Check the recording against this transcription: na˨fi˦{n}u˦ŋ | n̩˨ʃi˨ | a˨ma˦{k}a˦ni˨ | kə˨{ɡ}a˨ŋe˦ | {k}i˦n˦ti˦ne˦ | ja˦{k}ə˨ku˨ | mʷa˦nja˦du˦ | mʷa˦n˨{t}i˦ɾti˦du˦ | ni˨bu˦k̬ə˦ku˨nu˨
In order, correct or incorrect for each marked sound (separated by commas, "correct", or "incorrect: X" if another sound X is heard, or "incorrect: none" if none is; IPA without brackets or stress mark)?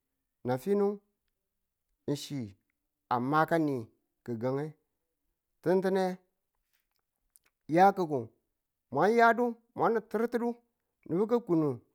correct, correct, correct, incorrect: t, correct, correct